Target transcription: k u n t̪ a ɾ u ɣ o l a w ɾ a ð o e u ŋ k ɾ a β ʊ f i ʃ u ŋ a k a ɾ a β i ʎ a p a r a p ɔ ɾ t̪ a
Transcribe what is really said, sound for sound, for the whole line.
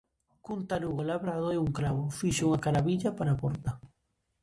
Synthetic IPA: k u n t̪ a ɾ u ɣ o l a β ɾ a ð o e u ŋ k ɾ a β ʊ f i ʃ u ŋ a k a ɾ a β i ʎ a p a ɾ a p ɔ ɾ t̪ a